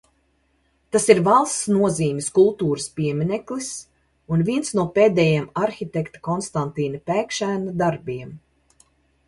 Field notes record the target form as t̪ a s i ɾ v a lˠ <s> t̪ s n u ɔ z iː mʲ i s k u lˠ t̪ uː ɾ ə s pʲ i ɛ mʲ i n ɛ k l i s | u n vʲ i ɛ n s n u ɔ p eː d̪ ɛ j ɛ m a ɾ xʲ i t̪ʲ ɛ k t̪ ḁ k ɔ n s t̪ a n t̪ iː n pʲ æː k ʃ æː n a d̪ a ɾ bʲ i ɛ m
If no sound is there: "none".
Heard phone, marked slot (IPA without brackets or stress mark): s